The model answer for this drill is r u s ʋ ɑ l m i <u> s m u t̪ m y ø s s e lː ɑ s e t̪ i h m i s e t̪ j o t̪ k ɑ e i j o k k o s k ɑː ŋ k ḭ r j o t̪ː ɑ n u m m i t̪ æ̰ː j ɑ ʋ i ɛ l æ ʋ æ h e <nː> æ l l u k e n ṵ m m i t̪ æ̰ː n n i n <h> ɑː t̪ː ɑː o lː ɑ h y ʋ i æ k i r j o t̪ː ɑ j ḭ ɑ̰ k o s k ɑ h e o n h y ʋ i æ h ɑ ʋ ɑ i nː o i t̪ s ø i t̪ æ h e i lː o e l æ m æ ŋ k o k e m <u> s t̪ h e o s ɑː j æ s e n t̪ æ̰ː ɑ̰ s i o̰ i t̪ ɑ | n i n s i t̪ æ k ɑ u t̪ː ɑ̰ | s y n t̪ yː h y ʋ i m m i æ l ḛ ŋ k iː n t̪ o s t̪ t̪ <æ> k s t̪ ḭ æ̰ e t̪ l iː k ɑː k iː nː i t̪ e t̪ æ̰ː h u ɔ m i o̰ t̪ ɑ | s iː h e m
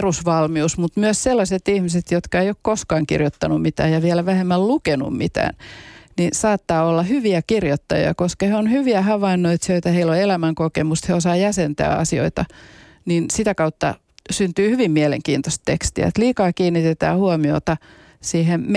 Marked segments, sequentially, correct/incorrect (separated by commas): correct, incorrect, incorrect, correct, incorrect